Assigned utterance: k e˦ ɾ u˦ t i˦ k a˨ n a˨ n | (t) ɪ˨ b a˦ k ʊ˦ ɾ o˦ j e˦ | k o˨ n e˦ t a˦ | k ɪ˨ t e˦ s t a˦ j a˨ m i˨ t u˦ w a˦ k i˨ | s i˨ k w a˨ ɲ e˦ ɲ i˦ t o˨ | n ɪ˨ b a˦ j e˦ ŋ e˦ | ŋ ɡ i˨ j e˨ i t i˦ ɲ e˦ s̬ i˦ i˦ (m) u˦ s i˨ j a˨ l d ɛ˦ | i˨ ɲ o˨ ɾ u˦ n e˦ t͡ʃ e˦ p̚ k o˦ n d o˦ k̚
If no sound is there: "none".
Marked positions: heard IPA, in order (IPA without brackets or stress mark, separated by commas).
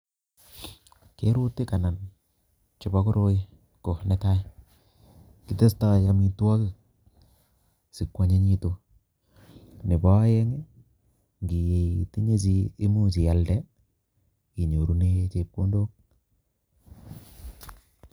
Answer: t͡ʃ, m